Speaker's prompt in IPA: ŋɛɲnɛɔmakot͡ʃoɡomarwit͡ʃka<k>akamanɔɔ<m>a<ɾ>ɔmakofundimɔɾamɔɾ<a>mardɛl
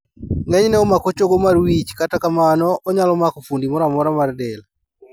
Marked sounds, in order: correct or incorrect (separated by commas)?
incorrect, incorrect, incorrect, correct